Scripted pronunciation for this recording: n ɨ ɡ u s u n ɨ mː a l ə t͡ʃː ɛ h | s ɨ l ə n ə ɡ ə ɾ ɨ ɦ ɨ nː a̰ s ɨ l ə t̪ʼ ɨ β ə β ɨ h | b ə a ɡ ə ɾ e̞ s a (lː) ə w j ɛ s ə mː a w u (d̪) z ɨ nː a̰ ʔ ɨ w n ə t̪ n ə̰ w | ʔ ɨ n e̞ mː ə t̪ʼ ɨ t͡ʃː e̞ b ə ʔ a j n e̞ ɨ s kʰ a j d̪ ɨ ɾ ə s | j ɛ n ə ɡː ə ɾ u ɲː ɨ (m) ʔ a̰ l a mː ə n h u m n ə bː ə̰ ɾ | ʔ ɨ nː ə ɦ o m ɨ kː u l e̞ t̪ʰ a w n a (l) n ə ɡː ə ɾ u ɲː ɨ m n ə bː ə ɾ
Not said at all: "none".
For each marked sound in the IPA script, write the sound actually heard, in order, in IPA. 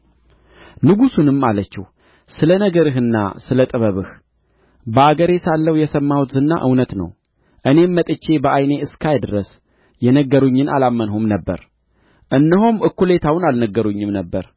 lː, t̪, n, l

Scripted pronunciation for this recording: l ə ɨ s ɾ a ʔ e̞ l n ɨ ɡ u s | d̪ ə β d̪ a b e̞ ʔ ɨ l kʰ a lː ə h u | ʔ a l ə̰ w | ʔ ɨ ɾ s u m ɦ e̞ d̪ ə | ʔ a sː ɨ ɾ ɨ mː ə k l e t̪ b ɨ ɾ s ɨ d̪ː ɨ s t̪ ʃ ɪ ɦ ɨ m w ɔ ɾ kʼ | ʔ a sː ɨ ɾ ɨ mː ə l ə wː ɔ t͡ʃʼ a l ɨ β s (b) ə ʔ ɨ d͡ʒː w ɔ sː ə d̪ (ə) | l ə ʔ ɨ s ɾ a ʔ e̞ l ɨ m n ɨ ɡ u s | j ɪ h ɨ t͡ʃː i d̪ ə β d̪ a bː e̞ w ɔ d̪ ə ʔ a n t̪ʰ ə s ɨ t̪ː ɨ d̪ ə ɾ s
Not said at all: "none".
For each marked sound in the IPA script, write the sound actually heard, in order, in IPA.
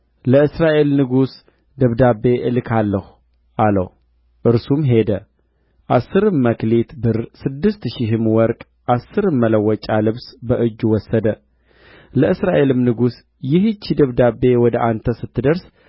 b, ə

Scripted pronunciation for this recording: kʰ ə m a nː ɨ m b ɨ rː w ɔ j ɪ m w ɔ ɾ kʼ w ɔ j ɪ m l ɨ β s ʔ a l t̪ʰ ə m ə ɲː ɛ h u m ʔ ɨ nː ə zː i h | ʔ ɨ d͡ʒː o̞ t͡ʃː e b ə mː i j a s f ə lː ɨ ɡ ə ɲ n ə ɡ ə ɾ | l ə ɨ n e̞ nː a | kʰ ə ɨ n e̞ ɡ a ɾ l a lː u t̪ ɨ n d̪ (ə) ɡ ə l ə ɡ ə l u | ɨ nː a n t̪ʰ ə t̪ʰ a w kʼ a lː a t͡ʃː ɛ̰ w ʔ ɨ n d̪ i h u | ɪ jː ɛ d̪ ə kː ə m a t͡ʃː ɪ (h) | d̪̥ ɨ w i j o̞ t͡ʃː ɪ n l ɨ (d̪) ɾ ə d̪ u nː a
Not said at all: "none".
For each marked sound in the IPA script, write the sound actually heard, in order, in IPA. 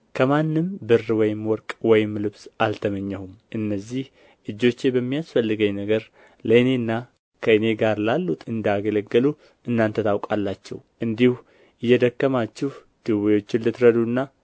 a, h, t̪

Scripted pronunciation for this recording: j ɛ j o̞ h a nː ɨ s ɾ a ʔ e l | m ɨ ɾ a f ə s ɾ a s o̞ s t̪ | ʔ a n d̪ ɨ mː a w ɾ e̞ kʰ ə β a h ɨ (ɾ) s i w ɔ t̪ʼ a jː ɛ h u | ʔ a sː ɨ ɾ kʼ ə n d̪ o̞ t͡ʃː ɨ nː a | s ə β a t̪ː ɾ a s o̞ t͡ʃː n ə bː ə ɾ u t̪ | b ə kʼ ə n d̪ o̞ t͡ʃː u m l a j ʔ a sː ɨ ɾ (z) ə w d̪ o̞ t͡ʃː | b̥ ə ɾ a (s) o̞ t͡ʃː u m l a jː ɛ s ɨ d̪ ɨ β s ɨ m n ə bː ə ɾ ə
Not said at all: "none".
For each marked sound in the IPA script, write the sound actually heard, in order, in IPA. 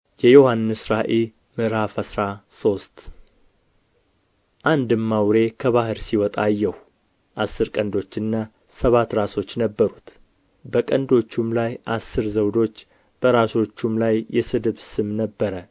ɾ, z, s

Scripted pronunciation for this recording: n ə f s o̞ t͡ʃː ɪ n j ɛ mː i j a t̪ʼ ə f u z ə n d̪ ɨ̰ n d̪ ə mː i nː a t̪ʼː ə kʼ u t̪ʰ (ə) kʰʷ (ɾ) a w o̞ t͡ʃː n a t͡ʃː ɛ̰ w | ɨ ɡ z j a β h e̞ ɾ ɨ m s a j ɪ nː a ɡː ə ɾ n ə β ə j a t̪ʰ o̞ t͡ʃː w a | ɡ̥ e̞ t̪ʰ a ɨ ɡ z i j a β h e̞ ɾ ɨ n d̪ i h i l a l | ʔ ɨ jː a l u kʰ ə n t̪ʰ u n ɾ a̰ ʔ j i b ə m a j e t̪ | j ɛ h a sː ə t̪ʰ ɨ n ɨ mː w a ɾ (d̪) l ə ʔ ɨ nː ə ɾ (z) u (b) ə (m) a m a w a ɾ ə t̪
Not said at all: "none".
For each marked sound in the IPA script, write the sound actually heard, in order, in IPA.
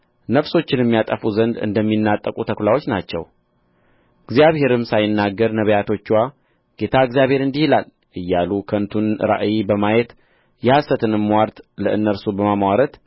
ə, l, t̪, s, b, m

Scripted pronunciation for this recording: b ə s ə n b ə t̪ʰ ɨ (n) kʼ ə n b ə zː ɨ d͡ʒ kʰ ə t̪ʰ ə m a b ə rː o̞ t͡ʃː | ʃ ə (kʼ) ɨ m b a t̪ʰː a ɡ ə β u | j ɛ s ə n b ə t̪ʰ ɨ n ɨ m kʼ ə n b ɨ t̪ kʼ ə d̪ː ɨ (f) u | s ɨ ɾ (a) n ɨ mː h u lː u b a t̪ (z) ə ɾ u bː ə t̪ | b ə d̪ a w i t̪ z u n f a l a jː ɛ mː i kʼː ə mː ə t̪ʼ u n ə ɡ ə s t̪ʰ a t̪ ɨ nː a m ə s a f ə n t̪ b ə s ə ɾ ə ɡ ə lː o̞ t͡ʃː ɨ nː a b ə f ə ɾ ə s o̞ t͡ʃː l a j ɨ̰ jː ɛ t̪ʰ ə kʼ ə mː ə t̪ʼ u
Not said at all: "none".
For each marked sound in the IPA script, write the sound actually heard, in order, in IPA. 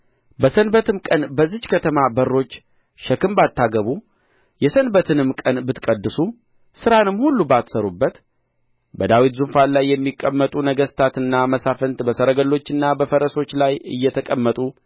m, k, s, a, s

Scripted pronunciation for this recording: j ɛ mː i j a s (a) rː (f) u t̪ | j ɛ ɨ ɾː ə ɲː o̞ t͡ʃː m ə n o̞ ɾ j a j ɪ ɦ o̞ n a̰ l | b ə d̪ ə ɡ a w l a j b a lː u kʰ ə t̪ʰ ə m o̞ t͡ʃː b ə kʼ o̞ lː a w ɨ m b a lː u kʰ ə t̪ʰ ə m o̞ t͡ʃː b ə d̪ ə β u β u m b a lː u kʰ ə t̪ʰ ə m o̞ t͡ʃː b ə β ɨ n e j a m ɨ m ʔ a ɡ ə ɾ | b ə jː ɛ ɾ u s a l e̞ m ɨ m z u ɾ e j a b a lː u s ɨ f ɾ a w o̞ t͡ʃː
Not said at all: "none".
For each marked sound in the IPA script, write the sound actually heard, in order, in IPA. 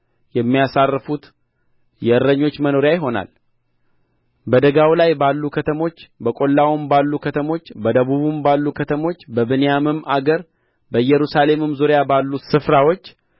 a, f

